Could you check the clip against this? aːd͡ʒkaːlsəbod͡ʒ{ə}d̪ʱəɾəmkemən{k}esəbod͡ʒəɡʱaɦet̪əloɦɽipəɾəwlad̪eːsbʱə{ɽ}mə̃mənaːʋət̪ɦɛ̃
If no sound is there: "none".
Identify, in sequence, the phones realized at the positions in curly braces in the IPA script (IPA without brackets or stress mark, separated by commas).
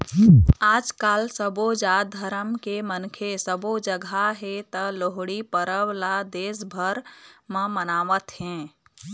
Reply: a, kʰ, ɾ